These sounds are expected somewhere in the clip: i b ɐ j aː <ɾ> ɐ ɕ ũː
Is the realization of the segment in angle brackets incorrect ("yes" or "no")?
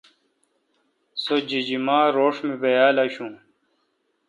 yes